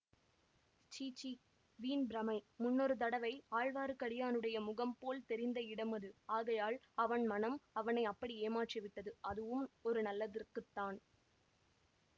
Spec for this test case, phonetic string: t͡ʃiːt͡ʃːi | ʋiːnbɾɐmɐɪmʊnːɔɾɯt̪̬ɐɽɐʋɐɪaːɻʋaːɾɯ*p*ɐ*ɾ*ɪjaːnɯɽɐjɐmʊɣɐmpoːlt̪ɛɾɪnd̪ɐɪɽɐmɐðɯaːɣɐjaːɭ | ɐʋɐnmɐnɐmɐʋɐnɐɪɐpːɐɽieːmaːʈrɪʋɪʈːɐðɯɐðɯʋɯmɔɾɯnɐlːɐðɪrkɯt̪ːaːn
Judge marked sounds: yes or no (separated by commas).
no, no